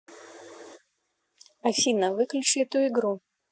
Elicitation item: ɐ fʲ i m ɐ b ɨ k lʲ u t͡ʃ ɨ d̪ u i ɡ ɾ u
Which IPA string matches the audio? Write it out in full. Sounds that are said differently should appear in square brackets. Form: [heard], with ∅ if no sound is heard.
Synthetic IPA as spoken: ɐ fʲ i [n] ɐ [v] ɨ k lʲ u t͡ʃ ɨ [t̪] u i ɡ ɾ u